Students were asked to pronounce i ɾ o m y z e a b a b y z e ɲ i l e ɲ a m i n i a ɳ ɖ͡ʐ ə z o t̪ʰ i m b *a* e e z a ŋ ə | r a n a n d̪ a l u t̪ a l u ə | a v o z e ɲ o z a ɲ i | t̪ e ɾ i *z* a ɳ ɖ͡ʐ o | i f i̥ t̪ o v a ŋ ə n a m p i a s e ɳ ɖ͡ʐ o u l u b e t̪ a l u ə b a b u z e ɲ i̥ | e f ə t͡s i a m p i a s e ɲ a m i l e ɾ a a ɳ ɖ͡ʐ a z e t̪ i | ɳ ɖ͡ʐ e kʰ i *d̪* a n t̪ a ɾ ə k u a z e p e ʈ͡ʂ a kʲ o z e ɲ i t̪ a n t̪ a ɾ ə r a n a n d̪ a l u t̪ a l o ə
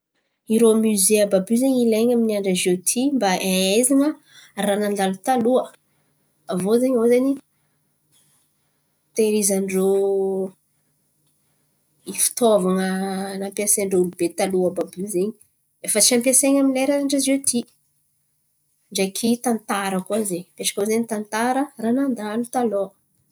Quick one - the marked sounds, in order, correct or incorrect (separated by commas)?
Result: correct, correct, incorrect